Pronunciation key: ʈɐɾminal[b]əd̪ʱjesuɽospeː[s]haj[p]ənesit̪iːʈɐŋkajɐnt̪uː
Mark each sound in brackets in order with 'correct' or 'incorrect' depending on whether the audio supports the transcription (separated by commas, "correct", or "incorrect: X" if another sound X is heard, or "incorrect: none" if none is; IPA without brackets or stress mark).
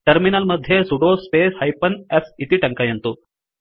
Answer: incorrect: m, correct, correct